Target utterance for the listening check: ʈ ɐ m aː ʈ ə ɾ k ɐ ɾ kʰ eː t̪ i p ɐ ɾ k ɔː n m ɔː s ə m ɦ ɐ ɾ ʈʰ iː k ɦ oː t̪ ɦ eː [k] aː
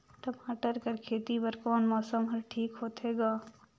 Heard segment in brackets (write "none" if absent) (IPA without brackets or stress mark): ɡ